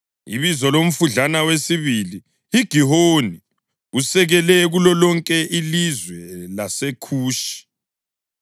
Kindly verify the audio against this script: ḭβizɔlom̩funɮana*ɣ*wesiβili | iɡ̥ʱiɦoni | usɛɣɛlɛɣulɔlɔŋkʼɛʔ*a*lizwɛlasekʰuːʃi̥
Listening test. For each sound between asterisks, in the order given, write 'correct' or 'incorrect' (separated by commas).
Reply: incorrect, incorrect